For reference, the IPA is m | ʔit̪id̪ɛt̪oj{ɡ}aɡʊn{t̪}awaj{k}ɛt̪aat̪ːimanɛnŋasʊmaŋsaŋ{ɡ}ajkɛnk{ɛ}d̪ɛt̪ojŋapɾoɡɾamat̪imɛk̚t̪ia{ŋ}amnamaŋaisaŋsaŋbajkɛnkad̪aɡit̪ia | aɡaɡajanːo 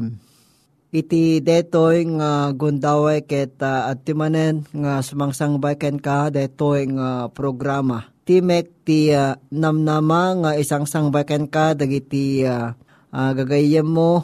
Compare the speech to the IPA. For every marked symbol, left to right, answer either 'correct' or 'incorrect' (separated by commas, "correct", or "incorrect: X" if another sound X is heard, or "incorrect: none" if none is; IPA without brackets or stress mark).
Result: incorrect: ŋ, incorrect: d̪, correct, incorrect: b, incorrect: a, incorrect: n